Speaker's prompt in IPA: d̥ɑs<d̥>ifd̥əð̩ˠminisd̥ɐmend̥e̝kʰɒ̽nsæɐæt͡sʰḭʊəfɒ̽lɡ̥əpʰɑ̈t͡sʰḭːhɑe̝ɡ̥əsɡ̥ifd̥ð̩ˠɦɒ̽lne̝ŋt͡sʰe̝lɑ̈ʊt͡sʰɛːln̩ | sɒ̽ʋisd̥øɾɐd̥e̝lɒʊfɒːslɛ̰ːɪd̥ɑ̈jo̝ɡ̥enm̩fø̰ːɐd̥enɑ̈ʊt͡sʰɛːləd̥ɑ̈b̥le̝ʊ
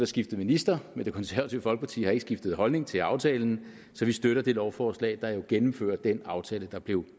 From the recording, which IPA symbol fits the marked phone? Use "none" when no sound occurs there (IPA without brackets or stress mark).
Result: ɡ̥